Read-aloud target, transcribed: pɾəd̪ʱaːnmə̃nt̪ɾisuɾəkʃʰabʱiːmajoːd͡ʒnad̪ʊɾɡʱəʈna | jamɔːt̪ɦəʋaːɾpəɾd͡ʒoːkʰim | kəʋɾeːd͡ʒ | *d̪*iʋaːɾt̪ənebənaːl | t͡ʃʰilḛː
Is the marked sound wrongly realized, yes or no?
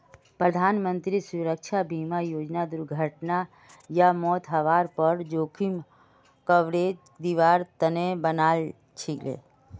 no